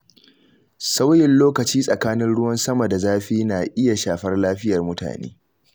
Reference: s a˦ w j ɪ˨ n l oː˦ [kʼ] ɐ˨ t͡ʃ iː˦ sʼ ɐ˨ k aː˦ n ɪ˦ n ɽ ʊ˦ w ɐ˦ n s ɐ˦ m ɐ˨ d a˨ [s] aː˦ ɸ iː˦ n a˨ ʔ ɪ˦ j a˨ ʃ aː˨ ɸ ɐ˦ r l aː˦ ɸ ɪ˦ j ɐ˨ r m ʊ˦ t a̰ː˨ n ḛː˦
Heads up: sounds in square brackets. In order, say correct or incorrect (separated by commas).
incorrect, incorrect